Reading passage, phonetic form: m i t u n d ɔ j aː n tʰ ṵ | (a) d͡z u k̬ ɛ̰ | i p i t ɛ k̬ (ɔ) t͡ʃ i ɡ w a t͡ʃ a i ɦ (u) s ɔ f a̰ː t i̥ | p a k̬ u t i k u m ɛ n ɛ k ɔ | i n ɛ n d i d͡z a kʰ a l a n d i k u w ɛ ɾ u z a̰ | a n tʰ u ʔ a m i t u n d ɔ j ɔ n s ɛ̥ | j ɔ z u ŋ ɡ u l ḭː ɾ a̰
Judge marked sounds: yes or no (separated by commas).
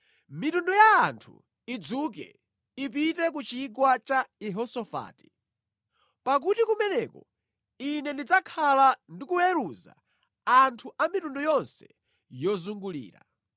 no, no, no